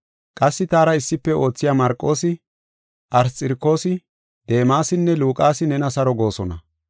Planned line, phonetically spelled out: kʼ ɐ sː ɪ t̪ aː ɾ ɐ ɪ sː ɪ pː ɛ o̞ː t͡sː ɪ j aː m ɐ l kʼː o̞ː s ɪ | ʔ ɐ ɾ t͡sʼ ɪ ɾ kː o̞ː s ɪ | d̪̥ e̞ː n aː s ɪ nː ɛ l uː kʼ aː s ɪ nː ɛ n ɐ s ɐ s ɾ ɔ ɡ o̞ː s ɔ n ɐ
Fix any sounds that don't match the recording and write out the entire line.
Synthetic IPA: kʼ ɐ sː ɪ t̪ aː ɾ ɐ ɪ sː ɪ pː ɛ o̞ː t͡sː ɪ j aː m ɐ ɾ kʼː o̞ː s ɪ | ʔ ɐ ɾ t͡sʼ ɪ ɾ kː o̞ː s ɪ | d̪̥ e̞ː m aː s ɪ nː ɛ l uː kʼ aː s ɪ n ɛ n ɐ s ɐ ɾ ɔ ɡ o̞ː s ɔ n ɐ